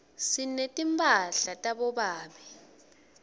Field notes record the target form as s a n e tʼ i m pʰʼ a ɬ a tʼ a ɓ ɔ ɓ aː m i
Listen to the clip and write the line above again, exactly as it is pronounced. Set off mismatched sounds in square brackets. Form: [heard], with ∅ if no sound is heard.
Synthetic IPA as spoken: s [i] n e tʼ i m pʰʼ a ɬ a tʼ a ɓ ɔ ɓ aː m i